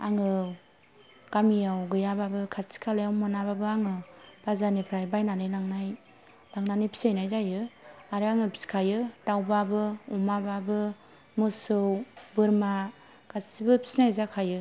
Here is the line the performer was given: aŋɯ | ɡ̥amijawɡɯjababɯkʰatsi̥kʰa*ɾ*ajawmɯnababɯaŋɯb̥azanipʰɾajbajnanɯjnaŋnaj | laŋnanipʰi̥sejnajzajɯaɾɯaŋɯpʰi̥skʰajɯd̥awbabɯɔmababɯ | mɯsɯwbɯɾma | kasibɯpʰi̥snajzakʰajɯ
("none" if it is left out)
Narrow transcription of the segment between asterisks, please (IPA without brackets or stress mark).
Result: l